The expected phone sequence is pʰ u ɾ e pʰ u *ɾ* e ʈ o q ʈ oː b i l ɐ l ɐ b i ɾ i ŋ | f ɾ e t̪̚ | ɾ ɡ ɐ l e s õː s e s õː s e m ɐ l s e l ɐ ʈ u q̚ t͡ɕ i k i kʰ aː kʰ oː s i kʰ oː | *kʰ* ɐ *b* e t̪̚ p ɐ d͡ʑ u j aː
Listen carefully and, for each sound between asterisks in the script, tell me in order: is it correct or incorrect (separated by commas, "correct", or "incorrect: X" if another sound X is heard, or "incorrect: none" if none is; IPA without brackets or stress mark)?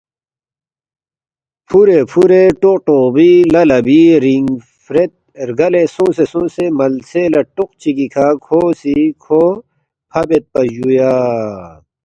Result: correct, incorrect: pʰ, correct